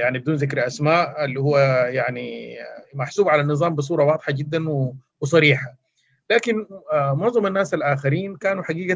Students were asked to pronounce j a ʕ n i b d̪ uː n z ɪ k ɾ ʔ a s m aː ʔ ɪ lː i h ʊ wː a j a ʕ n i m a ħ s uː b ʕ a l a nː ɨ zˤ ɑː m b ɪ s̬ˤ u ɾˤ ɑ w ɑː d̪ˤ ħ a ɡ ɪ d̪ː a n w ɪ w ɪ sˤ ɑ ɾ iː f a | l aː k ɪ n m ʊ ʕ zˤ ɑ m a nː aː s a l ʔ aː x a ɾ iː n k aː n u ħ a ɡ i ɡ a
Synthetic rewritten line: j a ʕ n i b d̪ uː n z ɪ k ɾ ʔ a s m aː ʔ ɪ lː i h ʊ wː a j a ʕ n i m a ħ s uː b ʕ a l a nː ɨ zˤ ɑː m b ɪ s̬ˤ uː ɾˤ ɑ w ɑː d̪ˤ ħ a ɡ ɪ d̪ː a n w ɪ w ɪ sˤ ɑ ɾ iː ħ a | l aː k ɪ n m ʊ ʕ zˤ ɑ m a nː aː s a l ʔ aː x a ɾ iː n k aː n u ħ a ɡ iː ɡ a